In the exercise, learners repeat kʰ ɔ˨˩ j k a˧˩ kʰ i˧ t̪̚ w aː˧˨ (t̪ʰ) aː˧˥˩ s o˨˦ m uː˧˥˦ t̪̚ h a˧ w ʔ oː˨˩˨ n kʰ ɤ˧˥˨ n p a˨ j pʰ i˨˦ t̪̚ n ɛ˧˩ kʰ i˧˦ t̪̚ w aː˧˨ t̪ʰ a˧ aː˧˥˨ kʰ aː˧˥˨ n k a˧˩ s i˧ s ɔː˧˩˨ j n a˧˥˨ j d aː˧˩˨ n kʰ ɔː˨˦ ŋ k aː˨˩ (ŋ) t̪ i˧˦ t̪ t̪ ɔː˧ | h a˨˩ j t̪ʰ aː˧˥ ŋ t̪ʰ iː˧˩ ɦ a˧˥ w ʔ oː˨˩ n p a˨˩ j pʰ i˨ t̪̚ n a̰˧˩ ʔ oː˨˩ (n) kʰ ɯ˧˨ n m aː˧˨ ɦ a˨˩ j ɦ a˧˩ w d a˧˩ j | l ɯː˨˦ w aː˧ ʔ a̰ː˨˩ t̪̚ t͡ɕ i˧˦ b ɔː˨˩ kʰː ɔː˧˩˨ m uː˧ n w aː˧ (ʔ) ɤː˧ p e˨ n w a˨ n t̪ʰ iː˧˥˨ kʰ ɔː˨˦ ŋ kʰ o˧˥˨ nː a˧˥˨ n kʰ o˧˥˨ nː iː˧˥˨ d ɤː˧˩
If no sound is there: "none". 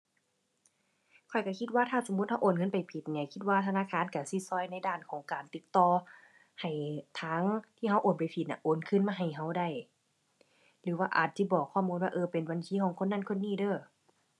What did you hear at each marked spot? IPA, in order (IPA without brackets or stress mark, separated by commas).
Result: t̪ʰ, n, n, ʔ